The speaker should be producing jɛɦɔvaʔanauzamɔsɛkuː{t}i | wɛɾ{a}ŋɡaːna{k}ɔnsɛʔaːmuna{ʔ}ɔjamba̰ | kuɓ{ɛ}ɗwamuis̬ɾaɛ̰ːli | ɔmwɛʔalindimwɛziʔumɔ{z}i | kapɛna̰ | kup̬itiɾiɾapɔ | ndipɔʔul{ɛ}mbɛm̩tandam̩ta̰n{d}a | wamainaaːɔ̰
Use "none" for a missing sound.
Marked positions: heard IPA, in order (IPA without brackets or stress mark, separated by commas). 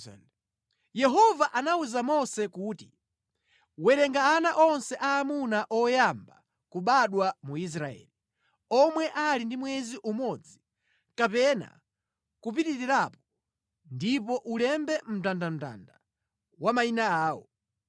t, ɛ, ʔ, ʔ, a, d͡z, ɛ, d